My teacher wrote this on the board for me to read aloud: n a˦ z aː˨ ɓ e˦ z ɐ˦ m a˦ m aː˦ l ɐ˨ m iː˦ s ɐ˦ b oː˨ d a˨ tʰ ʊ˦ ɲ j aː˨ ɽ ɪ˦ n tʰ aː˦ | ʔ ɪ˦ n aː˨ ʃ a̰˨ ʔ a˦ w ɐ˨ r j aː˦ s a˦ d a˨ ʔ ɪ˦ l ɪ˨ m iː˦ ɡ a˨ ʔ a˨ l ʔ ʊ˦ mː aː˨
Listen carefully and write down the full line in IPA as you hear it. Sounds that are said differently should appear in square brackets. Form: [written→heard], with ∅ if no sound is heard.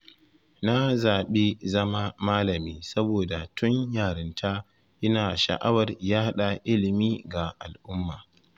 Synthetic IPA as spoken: n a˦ z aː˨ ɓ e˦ z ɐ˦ m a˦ m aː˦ l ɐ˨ m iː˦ s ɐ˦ b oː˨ d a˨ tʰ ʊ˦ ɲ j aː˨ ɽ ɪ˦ n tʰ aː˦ | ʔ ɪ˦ n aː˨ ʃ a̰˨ ʔ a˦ w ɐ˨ r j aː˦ [s→h] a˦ [d→ɗ] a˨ ʔ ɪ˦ l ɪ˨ m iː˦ ɡ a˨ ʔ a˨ l ʔ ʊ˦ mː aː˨